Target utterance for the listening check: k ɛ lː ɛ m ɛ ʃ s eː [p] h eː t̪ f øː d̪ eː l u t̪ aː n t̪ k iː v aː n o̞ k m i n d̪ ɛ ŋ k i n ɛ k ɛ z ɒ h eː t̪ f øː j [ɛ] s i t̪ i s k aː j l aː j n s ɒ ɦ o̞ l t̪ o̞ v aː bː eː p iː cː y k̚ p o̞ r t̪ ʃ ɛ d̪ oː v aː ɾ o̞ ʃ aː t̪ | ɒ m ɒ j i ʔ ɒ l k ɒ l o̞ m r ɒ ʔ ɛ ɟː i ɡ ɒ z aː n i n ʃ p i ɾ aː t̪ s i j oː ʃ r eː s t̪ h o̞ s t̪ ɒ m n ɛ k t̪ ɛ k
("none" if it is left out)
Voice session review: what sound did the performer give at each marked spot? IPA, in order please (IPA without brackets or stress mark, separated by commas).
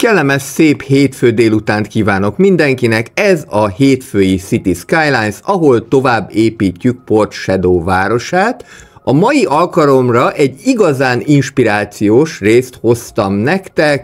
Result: p, i